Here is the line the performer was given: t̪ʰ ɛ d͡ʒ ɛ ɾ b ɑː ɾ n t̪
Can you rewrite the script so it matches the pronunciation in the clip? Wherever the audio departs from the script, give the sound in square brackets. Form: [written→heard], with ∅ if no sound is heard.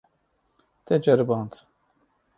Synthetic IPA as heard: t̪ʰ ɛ d͡ʒ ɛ ɾ b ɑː [ɾ→∅] n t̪